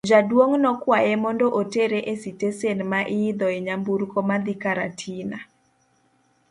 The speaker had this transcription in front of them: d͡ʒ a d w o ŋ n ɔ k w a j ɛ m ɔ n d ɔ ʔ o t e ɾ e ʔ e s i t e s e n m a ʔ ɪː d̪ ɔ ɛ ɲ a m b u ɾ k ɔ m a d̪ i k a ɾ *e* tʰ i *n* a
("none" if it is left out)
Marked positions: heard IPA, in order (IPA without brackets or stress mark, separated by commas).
a, n